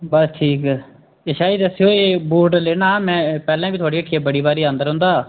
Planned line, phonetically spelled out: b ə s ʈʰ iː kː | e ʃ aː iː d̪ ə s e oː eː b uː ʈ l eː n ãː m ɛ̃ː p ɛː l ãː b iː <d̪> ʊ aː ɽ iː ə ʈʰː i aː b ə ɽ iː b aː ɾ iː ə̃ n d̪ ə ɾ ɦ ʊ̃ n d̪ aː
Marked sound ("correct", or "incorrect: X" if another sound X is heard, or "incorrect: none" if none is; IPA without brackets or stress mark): incorrect: t̪